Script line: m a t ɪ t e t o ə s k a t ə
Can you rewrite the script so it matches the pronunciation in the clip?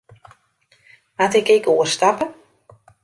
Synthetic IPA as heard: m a t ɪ k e k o ə s t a p ə